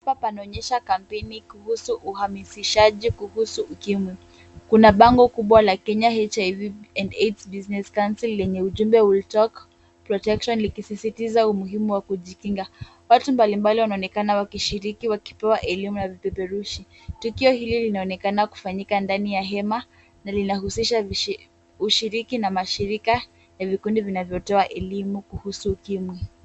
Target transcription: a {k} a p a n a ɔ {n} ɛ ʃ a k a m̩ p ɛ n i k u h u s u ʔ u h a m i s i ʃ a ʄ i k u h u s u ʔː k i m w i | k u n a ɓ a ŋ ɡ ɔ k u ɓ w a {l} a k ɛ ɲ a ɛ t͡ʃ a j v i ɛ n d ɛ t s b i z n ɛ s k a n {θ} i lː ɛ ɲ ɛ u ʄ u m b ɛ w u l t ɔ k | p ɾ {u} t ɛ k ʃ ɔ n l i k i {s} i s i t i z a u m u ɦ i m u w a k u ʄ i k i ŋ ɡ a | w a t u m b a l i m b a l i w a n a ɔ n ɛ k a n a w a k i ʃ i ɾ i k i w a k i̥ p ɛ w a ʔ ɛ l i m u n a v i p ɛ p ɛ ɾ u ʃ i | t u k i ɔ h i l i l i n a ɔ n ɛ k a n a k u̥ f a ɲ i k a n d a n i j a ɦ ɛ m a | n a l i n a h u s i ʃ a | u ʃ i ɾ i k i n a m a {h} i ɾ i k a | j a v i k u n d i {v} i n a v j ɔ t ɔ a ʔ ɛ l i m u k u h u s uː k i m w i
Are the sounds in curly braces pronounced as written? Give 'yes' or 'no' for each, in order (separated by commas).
no, no, yes, no, no, yes, no, yes